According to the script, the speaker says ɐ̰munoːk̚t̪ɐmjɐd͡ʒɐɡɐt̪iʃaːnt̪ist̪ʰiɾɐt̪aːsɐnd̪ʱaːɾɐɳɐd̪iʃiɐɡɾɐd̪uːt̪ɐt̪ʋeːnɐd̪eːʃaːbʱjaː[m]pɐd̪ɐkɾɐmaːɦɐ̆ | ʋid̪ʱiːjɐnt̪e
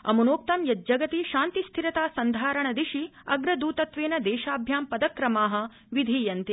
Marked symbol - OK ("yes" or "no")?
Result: yes